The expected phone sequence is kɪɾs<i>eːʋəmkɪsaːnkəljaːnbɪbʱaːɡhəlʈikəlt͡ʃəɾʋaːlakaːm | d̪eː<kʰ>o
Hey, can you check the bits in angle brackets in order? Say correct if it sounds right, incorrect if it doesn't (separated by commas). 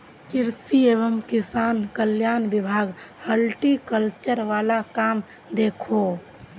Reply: correct, correct